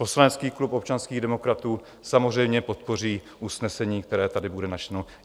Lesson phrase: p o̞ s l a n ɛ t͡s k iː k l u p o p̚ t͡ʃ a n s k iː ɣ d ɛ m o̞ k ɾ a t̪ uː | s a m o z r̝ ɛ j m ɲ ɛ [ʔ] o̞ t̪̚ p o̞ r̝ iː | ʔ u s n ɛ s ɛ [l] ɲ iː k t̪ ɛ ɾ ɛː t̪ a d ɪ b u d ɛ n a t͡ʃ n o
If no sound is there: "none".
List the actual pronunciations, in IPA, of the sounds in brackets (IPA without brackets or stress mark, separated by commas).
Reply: p, none